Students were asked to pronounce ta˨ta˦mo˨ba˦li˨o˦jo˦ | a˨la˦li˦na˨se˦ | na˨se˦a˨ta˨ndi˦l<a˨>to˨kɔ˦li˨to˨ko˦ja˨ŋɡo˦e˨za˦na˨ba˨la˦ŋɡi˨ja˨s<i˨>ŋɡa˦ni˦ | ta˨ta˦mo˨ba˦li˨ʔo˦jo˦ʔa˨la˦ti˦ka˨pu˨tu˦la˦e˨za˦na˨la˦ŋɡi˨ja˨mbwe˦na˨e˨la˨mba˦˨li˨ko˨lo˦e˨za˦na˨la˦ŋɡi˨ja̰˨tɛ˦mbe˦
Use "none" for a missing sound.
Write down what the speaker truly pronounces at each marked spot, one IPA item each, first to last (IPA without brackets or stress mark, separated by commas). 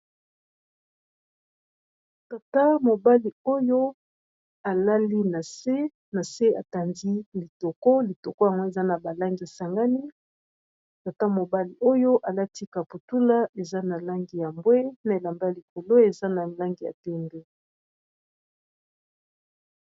i˨, a˨